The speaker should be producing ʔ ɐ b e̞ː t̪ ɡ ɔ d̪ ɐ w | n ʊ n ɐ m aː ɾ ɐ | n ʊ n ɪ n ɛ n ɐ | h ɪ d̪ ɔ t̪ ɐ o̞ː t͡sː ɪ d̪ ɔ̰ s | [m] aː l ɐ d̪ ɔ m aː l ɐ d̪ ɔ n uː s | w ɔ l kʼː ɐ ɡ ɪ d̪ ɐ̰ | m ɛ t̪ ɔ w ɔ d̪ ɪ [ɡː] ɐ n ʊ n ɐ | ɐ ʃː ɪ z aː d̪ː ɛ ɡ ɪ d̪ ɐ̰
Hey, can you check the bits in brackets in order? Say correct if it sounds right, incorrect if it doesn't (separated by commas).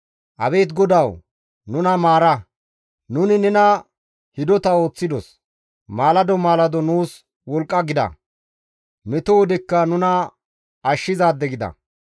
correct, incorrect